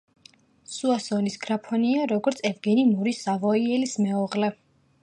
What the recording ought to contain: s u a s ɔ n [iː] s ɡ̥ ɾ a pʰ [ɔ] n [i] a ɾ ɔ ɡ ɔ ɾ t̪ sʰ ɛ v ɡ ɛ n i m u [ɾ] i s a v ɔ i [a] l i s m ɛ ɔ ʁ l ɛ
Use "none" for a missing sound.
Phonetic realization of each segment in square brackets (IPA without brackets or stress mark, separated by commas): i, ɔ, i, ɾ, ɛ